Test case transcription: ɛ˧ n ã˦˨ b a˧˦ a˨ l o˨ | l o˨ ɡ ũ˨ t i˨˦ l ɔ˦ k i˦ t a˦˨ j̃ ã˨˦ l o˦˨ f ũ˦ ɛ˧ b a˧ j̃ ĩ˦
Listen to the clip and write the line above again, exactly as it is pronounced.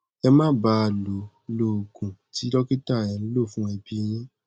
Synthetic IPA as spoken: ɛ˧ m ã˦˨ b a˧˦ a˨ l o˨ | l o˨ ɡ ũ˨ t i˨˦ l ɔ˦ k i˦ t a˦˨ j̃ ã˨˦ l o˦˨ f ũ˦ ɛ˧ b i˧ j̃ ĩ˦